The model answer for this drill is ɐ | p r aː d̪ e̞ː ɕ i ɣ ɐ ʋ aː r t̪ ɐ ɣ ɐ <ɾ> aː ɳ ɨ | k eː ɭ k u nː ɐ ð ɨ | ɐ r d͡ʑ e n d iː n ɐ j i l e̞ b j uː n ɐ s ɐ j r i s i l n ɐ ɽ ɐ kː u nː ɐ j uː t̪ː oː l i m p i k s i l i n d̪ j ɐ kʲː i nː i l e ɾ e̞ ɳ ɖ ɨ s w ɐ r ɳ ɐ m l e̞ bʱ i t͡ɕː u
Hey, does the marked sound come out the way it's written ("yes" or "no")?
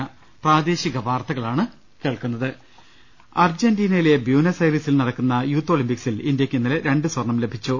no